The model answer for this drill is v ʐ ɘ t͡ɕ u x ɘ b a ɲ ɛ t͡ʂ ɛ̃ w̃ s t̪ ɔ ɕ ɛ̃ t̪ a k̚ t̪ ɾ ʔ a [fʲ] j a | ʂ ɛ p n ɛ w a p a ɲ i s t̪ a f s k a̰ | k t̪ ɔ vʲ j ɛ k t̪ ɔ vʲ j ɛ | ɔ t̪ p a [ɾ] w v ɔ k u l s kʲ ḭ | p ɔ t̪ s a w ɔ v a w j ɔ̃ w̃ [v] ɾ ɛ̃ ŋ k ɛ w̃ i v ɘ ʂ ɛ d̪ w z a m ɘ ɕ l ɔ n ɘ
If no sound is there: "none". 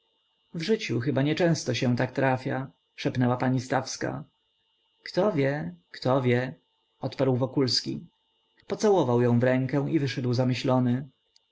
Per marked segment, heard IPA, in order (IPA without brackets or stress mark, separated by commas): fʲ, ɾ, v